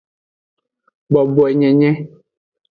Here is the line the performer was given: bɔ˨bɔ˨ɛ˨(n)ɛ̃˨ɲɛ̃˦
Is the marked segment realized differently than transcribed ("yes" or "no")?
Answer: yes